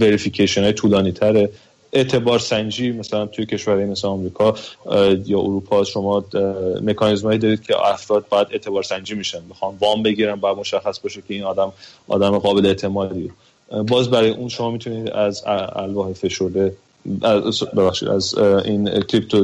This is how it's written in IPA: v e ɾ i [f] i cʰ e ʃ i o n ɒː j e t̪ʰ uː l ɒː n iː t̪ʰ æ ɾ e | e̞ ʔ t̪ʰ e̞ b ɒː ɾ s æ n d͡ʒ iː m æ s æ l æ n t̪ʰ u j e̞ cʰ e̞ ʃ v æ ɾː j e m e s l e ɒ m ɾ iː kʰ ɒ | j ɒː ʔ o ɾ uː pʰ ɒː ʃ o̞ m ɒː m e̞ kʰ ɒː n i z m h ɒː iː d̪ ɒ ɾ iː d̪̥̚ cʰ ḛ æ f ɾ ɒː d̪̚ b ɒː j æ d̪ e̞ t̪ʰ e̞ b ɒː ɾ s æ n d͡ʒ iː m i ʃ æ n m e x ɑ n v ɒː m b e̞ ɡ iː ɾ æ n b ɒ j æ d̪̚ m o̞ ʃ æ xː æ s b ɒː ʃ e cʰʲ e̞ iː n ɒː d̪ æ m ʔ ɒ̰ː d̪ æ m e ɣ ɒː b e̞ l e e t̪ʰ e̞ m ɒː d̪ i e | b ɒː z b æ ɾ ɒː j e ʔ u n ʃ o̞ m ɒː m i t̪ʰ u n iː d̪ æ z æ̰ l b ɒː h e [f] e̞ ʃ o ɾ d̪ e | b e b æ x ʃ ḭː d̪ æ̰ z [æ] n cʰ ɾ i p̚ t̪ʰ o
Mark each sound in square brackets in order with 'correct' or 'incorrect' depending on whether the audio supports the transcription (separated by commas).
correct, correct, incorrect